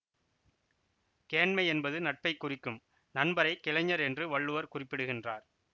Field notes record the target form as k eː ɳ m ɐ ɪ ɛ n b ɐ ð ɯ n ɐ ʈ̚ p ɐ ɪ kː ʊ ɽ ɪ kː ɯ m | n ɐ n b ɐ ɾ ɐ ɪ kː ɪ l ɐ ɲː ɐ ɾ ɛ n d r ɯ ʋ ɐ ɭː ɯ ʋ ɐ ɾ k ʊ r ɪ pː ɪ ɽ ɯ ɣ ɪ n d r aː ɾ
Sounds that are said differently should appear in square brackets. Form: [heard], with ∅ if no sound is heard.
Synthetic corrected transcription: k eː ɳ m ɐ ɪ ɛ n b ɐ ð ɯ n ɐ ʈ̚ p ɐ ɪ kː ʊ [r] ɪ kː ɯ m | n ɐ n b ɐ ɾ ɐ ɪ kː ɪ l ɐ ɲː ɐ ɾ ɛ n d r ɯ ʋ ɐ ɭː ɯ ʋ ɐ ɾ k ʊ r ɪ pː ɪ ɽ ɯ ɣ ɪ n d r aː ɾ